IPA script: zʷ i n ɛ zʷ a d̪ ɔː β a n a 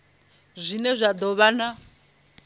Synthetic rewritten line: zʷ i n ɛ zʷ a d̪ ɔ β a n a